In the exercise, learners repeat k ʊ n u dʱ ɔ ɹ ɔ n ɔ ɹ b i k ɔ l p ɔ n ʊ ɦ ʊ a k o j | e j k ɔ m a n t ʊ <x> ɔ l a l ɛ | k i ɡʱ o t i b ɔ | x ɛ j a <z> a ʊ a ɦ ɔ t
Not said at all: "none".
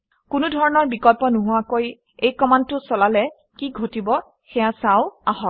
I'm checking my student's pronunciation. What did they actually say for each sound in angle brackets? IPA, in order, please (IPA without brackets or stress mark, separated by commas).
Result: s, s